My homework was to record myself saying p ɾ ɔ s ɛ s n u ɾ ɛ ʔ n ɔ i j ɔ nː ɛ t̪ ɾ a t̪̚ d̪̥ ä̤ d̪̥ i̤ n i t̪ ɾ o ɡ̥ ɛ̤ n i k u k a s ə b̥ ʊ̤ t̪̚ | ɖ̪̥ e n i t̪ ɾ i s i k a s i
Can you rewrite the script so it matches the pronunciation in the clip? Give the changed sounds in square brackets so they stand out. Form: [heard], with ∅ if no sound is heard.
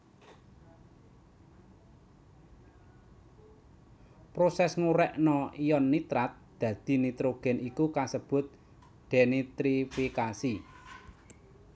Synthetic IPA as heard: p ɾ [o] s ɛ s [ŋ] u ɾ ɛ ʔ n ɔ i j ɔ nː [i] t̪ ɾ a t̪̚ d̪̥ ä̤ d̪̥ i̤ n i t̪ ɾ o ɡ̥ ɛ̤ n i k u k a s ə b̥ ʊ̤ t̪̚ | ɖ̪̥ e n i t̪ ɾ i [f] i k a s i